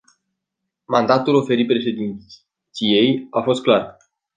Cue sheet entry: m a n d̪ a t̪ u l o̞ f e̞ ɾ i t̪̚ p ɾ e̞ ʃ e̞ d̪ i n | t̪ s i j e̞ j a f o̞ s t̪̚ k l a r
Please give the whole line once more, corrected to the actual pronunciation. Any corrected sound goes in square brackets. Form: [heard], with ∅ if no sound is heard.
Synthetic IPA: m a n d̪ a t̪ u l o̞ f e̞ ɾ i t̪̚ p ɾ e̞ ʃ e̞ d̪ i n | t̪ s i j e̞ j a f o̞ s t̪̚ k l a r